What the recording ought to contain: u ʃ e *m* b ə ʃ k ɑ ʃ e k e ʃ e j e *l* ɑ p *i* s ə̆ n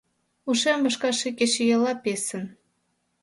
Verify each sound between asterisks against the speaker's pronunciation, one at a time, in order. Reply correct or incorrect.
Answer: correct, correct, incorrect: e

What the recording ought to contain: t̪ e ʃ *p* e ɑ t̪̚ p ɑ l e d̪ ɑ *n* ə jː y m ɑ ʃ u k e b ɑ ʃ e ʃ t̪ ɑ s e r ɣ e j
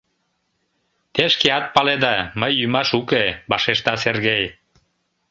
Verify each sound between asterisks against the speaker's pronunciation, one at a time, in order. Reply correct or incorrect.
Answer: incorrect: k, incorrect: m

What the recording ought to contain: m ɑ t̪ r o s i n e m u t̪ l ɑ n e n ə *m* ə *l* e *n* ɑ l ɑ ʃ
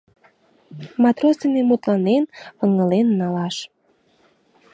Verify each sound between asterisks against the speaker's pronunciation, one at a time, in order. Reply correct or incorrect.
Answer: incorrect: ŋ, correct, incorrect: nː

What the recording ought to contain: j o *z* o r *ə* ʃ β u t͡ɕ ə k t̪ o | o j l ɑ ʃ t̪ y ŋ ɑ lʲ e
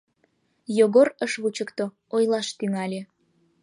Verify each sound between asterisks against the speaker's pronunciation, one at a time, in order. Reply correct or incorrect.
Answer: incorrect: ɣ, correct

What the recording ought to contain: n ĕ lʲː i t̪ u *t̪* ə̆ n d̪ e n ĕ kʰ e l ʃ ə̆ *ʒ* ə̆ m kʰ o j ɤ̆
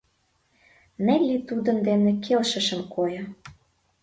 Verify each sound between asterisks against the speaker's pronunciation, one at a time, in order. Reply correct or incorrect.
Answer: incorrect: d̪, incorrect: ʃ

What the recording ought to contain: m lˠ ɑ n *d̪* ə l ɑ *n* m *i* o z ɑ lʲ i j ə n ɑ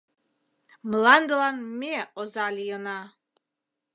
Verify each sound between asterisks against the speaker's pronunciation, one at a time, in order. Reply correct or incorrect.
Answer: correct, correct, incorrect: e

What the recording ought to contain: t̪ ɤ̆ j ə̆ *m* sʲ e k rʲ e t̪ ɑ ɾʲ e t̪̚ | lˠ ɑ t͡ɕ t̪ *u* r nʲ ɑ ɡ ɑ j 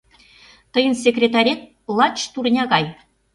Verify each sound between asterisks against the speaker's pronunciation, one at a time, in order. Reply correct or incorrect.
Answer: incorrect: n, correct

